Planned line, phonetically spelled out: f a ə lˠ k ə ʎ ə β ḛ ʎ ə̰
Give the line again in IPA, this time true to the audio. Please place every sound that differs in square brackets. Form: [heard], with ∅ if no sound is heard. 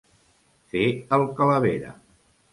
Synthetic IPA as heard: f [e] ə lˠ k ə [l] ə β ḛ [ɾ] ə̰